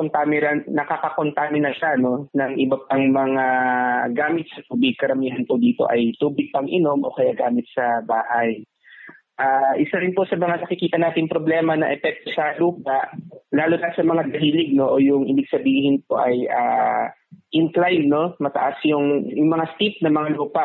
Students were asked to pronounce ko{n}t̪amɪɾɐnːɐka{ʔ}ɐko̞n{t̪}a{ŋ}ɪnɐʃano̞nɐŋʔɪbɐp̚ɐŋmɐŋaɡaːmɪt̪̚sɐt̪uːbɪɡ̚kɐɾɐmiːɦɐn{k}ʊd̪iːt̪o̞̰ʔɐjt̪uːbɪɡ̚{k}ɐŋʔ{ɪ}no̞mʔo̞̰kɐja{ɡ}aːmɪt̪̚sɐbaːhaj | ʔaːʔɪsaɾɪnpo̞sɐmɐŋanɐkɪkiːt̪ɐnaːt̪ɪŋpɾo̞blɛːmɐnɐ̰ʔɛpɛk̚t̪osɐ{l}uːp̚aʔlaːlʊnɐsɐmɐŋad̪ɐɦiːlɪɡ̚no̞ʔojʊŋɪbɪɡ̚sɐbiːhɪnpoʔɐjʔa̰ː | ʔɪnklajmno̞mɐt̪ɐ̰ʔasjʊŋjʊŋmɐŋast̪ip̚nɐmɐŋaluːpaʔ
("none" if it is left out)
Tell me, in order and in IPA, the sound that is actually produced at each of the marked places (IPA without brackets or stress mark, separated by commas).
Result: n, k, t̪, m, p, p, ɪ, ɡ, l